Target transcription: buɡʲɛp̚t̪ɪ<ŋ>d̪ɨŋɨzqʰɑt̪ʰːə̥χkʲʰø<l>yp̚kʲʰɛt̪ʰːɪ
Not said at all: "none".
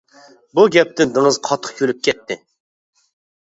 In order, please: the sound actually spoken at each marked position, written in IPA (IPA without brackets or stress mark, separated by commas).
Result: n, l